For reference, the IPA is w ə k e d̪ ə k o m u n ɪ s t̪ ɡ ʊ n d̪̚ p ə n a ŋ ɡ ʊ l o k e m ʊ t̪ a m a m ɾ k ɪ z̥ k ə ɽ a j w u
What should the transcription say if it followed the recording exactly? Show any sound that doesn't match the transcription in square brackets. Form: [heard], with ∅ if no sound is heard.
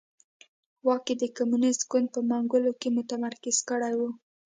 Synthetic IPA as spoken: w [ɑ] k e d̪ ə k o m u n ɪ s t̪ ɡ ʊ n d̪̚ p ə [m] a ŋ ɡ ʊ l o k e m ʊ t̪ a m a [∅] ɾ k ɪ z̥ k ə ɽ a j w u